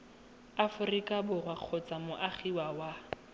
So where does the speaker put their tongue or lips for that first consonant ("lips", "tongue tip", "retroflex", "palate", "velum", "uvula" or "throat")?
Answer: lips